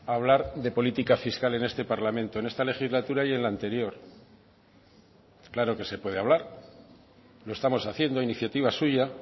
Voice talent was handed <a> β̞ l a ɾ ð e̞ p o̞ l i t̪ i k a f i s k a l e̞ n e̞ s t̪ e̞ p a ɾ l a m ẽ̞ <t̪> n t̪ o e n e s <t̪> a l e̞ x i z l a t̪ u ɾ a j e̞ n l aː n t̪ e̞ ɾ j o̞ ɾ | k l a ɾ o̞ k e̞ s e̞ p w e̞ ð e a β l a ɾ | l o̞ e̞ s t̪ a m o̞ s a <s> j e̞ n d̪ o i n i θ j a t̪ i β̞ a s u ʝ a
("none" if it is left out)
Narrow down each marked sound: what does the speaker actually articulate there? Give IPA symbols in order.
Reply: a, none, t̪, θ

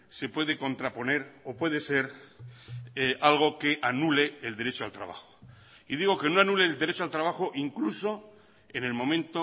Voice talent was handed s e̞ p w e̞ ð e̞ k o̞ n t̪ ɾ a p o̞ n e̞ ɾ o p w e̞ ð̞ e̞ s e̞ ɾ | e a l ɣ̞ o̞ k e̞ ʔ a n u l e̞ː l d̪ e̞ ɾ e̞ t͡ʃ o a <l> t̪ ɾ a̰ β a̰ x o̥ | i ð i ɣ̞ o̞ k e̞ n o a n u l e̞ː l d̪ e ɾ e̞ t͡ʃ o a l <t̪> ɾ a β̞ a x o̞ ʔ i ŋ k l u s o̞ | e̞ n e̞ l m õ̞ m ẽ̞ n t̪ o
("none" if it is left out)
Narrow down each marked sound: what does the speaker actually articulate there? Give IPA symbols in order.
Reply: l, t̪

